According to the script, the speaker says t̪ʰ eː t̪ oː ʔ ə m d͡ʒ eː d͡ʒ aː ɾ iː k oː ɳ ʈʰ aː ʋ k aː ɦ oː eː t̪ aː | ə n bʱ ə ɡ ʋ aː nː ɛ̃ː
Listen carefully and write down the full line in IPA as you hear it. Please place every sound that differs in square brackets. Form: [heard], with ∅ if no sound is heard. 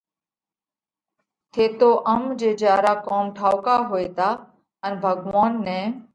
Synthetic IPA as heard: t̪ʰ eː t̪ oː ʔ ə m d͡ʒ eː d͡ʒ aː ɾ [aː] k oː [m] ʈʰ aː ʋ k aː ɦ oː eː t̪ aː | ə n bʱ ə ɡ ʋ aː nː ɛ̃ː